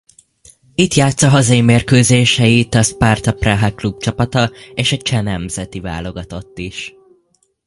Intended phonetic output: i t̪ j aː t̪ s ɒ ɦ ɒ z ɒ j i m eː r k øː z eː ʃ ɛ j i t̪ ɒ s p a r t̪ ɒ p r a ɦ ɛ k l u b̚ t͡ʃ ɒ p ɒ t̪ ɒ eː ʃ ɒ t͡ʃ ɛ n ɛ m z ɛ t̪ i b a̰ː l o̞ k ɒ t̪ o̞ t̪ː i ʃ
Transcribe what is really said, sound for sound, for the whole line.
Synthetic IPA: i t̪ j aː t̪ s ɒ ɦ ɒ z ɒ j i m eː r k øː z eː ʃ ɛ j i t̪ ɒ s p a r t̪ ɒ p r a ɦ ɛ k l u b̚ t͡ʃ ɒ p ɒ t̪ ɒ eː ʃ ɒ t͡ʃ ɛ n ɛ m z ɛ t̪ i v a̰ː l o̞ ɡ ɒ t̪ o̞ t̪ː i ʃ